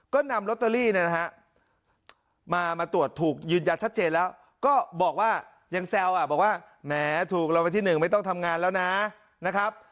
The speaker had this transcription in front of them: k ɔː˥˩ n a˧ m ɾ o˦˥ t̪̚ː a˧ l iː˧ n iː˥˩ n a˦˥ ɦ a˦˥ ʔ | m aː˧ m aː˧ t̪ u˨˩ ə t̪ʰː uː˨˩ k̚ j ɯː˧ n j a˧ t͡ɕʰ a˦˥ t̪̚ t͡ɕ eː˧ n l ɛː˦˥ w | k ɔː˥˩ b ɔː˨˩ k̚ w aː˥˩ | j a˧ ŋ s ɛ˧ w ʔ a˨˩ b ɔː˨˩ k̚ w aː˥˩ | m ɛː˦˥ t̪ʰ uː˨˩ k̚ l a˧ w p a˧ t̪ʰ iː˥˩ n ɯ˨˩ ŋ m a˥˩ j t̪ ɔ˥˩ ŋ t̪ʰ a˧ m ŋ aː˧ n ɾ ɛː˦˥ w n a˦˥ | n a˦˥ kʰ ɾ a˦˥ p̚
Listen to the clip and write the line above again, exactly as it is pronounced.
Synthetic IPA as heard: k ɔː˥˩ n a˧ m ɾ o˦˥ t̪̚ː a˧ l iː˥˩ n i˥˩ n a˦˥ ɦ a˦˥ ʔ | m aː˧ m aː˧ t̪ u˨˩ ə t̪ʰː uː˨˩ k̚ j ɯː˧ n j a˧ t͡ɕʰ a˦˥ t̪̚ t͡ɕ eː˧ n l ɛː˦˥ w | k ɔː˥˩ b ɔː˨˩ k̚ w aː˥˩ | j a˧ ŋ s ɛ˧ w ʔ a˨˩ b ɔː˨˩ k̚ w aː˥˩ | m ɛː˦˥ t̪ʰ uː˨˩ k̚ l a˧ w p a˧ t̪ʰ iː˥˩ n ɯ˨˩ ŋ m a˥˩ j t̪ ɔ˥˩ ŋ t̪ʰ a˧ m ŋ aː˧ n l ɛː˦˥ w n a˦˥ | n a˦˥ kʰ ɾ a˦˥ p̚